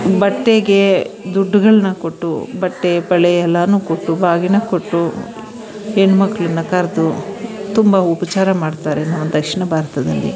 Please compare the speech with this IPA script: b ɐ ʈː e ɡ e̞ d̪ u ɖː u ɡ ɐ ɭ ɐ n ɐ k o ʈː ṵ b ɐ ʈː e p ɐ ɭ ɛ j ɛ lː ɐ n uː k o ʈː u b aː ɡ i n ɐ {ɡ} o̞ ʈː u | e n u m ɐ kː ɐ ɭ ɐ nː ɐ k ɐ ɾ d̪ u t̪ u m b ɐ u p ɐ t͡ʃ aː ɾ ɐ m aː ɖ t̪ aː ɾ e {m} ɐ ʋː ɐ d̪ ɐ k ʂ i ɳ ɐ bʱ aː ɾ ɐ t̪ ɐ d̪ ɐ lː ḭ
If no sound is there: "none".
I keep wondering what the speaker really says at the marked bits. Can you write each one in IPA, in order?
k, n

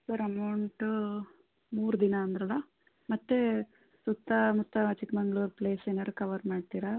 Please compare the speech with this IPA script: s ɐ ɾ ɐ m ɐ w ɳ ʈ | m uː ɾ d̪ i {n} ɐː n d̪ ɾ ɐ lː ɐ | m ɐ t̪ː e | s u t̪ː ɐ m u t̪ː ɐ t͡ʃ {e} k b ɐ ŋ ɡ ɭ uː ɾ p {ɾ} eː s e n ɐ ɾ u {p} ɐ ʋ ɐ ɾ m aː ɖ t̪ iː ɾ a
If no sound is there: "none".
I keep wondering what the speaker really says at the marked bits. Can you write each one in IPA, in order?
n, i, l, k

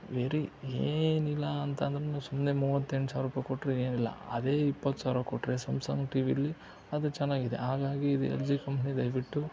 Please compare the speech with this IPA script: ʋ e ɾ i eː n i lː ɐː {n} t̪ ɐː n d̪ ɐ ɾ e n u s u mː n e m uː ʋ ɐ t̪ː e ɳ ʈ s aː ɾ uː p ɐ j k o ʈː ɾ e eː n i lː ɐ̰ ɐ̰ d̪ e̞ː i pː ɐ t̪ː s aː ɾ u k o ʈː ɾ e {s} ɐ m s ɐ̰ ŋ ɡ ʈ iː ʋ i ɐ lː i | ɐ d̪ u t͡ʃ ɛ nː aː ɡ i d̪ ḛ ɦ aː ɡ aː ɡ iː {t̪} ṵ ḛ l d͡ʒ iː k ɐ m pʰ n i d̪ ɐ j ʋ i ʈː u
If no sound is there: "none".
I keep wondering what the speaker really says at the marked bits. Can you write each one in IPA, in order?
n, s, d̪

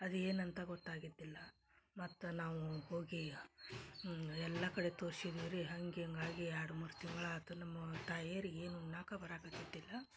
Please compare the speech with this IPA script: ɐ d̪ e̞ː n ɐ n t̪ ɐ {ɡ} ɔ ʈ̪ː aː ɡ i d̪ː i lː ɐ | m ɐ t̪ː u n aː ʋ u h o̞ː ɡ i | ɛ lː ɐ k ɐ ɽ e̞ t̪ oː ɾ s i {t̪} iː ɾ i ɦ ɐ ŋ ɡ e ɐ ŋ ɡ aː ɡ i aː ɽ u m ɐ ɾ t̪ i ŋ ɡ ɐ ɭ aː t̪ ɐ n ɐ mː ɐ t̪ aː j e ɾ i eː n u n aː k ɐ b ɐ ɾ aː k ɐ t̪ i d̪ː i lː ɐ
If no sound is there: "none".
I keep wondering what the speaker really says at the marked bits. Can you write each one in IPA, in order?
ɡ, d̪

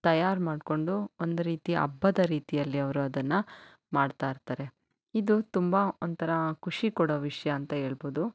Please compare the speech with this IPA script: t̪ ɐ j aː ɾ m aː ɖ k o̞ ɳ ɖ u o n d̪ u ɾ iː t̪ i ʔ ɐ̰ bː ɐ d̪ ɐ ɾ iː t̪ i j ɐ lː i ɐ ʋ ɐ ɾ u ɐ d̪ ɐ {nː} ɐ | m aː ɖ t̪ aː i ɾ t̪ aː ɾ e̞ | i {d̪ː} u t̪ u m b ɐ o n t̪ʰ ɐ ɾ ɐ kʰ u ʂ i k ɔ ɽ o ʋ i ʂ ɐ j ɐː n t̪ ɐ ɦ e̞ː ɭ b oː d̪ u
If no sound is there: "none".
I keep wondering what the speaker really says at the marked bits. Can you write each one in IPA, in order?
nː, d̪

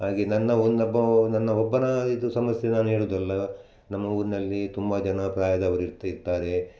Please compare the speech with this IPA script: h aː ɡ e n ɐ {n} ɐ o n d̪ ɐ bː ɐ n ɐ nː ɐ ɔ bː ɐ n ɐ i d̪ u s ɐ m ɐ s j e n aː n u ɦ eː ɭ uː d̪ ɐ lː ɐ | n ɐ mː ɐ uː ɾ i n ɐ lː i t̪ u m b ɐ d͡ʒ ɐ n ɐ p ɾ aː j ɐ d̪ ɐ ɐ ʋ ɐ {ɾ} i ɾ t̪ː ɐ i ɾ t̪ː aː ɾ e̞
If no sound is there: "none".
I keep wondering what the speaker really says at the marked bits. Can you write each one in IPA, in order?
nː, ɾ

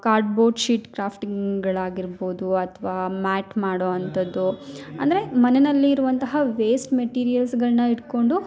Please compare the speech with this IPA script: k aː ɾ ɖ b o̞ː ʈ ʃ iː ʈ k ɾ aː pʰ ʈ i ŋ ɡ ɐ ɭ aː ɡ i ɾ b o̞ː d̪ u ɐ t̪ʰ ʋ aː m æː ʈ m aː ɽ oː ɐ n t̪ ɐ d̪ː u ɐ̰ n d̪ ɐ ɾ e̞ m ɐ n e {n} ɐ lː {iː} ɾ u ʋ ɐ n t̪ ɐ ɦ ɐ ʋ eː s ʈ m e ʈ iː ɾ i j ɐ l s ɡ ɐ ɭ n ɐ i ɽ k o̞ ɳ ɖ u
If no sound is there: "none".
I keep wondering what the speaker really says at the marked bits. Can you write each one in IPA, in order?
n, iː

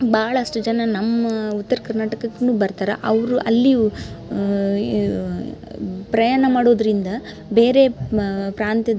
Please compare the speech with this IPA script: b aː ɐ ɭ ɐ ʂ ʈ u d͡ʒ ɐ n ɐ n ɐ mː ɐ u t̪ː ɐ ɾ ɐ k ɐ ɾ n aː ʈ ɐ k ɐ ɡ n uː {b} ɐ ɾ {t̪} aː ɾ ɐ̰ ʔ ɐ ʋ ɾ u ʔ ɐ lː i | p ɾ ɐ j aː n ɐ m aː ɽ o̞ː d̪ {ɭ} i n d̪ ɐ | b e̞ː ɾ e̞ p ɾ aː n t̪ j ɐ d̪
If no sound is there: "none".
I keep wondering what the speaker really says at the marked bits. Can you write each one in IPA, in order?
b, t̪, ɾ

